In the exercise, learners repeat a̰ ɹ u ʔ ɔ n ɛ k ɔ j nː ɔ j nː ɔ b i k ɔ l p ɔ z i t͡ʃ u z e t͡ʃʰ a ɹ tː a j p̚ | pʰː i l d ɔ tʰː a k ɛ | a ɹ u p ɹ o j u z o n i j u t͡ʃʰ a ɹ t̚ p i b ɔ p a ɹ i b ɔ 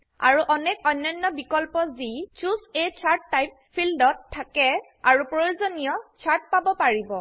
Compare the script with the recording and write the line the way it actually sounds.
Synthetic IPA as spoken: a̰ ɹ u ʔ ɔ n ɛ k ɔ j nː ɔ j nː ɔ b i k ɔ l p ɔ z i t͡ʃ u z e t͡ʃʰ a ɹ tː a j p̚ | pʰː i l d ɔ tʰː a k ɛ | a ɹ u p ɹ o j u z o n i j ɔ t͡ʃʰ a ɹ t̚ p a b ɔ p a ɹ i b ɔ